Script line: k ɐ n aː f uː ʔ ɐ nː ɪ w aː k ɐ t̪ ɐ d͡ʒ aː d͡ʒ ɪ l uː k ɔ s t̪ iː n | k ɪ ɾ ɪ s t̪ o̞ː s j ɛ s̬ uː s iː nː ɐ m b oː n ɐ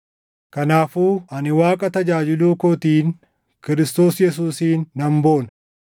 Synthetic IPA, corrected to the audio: k ɐ n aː f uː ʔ ɐ n ɪ w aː kʼ ɐ t̪ ɐ d͡ʒ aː d͡ʒ ɪ l uː k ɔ t̪ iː n | k ɪ ɾ ɪ s t̪ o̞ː s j ɛ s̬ uː s iː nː ɐ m b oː n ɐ

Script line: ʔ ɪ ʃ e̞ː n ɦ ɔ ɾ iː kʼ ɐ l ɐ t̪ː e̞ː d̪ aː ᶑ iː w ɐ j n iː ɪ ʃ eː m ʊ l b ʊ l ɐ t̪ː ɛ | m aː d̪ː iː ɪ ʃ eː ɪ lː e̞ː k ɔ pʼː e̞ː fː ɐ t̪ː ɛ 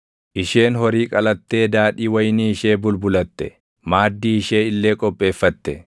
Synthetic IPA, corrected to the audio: ʔ ɪ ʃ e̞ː n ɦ ɔ ɾ iː kʼ ɐ l ɐ t̪ː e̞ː d̪ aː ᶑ iː w ɐ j n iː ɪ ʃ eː b ʊ l b ʊ l ɐ t̪ː ɛ | m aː d̪ː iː ɪ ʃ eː ɪ lː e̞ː kʼ ɔ pʼː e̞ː fː ɐ t̪ː ɛ

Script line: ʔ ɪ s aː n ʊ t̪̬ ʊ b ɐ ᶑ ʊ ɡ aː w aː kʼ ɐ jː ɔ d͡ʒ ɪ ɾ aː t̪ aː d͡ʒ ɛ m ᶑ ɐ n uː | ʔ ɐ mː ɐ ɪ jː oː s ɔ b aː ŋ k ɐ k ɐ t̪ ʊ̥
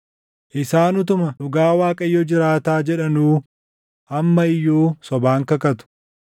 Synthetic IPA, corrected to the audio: ʔ ɪ s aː n ʊ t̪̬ ʊ m ɐ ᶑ ʊ ɡ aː w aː kʼ ɐ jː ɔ d͡ʒ ɪ ɾ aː t̪ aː d͡ʒ ɛ ᶑ ɐ n uː | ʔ ɐ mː ɐ ɪ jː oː s ɔ b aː ŋ k ɐ k ɐ t̪ ʊ̥

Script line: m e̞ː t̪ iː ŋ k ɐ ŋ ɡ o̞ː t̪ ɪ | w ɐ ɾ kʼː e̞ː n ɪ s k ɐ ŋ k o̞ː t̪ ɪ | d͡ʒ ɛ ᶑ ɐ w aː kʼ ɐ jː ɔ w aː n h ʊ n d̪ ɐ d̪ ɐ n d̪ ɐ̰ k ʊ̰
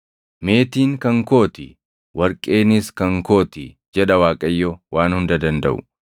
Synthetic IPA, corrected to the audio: m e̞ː t̪ iː ŋ k ɐ ŋ k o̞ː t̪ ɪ | w ɐ ɾ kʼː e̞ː n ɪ s k ɐ ŋ k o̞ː t̪ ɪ | d͡ʒ ɛ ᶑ ɐ w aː kʼ ɐ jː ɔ w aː n h ʊ n d̪ ɐ d̪ ɐ n d̪ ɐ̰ ʔ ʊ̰

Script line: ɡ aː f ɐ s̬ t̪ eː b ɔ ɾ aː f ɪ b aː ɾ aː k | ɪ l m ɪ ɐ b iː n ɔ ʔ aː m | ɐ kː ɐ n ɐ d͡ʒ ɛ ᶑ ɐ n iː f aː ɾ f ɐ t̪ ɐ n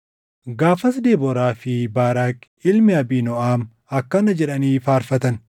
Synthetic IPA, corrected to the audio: ɡ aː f ɐ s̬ d̪ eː b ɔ ɾ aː f ɪ b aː ɾ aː k | ɪ l m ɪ ɐ b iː n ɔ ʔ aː m | ɐ kː ɐ n ɐ d͡ʒ ɛ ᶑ ɐ n iː f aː ɾ f ɐ t̪ ɐ n

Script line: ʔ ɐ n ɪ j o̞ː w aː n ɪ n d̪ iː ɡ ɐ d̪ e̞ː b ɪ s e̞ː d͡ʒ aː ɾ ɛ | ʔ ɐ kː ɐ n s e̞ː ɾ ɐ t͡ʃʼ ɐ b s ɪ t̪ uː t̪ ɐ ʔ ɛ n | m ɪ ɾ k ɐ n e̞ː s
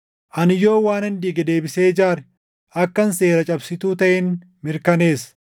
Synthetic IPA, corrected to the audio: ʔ ɐ n ɪ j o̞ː w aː n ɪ n d̪ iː ɡ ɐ d̪ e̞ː b ɪ s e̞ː d͡ʒ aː ɾ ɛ | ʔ ɐ kː ɐ n s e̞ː ɾ ɐ t͡ʃʼ ɐ b s ɪ t̪ uː t̪ ɐ ʔ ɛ n | m ɪ ɾ k ɐ n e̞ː s

